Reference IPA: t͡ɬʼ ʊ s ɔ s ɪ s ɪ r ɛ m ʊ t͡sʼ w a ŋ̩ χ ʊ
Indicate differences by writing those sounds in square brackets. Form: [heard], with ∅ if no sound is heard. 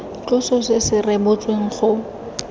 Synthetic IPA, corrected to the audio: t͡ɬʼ ʊ s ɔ s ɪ s ɪ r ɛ [b] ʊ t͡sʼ w [e] ŋ̩ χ ʊ